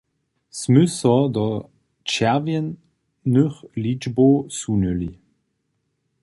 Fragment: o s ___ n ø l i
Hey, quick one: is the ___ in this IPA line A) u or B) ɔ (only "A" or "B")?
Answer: A